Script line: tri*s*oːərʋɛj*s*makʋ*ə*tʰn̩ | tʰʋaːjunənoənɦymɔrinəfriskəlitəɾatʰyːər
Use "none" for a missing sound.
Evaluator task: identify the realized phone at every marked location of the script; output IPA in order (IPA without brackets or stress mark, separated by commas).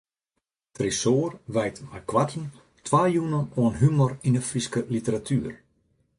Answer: s, t, a